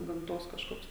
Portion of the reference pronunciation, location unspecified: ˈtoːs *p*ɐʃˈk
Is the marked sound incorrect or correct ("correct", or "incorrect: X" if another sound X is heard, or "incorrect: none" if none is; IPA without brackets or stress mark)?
incorrect: k